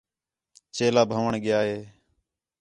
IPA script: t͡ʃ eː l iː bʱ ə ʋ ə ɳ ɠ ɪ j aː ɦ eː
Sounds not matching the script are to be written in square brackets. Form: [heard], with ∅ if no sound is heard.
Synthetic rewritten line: t͡ʃ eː l [aː] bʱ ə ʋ ə ɳ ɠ ɪ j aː ɦ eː